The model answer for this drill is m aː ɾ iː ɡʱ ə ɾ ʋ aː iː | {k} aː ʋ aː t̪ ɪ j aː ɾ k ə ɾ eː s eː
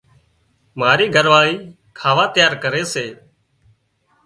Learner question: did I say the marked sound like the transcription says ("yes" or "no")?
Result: no